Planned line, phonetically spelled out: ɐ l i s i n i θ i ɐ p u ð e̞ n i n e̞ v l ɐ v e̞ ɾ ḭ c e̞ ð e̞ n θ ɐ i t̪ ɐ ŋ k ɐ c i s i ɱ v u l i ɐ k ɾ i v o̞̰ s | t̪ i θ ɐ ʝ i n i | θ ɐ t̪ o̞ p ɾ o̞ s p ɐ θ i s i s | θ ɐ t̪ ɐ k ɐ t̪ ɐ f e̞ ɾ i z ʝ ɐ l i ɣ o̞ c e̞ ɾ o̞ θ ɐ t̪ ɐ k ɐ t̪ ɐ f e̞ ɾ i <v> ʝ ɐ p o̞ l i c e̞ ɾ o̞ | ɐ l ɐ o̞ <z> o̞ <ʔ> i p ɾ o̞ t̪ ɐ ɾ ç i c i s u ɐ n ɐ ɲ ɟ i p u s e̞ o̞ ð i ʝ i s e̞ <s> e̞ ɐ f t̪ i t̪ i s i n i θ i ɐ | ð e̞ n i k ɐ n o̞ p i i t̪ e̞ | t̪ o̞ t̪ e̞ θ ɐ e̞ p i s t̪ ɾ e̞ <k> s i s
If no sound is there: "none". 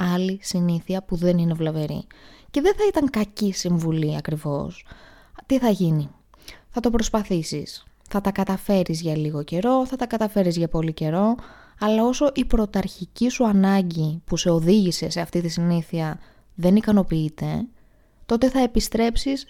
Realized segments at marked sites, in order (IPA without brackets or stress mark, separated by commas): z, s, ʔ, s, p